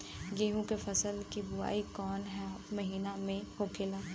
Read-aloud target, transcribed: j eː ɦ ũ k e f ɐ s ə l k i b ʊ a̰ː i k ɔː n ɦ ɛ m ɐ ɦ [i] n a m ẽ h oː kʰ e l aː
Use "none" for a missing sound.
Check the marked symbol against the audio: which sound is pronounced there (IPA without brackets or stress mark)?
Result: iː